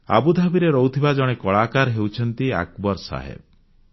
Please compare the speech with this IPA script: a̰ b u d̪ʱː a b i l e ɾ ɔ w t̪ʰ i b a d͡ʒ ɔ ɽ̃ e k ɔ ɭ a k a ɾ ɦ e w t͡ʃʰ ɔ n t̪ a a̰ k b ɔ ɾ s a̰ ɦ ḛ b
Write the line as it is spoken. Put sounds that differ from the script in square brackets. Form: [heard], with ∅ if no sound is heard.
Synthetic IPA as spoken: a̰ b u [d̪ʱ] a b i [ɾ] e ɾ ɔ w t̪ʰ i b a d͡ʒ ɔ ɽ̃ e k ɔ ɭ a k a ɾ ɦ e w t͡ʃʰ ɔ n t̪ [i] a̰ k b ɔ ɾ s a̰ ɦ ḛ b